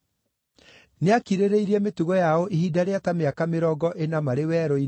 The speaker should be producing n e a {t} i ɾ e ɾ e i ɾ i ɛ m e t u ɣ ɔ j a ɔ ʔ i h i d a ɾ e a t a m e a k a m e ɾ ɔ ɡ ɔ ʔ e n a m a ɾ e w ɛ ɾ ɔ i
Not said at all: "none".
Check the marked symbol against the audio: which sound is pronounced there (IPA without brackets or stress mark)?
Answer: k